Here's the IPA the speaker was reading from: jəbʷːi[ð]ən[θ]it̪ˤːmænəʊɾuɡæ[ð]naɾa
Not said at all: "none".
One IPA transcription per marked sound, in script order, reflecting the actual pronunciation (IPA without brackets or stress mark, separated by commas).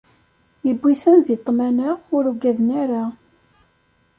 θ, ð, ð